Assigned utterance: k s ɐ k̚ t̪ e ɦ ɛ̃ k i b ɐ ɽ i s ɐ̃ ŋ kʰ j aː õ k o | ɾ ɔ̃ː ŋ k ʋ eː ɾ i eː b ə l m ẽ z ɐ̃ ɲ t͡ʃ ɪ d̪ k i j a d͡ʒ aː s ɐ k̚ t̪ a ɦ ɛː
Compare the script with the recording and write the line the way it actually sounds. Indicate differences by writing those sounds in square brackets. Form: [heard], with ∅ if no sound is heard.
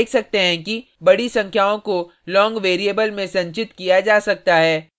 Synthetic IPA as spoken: k s ɐ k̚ t̪ e ɦ ɛ̃ k i b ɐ ɽ i s ɐ̃ ŋ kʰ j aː õ k o | [l] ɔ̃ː ŋ [ɡ] ʋ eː ɾ i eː b ə l m ẽ [s] ɐ̃ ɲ t͡ʃ ɪ [t̪] k i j a d͡ʒ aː s ɐ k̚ t̪ a ɦ ɛː